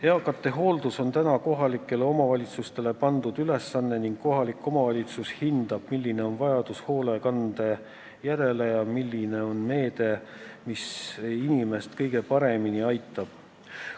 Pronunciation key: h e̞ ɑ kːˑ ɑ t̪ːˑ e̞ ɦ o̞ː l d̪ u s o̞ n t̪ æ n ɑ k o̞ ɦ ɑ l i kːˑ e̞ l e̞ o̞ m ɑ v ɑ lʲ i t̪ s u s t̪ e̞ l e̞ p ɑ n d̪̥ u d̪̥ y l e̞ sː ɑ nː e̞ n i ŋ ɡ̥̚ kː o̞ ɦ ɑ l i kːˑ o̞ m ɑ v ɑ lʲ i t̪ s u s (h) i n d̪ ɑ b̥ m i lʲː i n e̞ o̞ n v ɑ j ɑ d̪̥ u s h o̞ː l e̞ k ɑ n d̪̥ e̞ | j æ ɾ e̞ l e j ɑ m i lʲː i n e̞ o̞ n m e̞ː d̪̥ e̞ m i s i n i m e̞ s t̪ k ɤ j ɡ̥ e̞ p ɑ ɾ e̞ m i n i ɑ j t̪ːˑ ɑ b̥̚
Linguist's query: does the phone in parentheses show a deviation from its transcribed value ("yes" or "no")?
no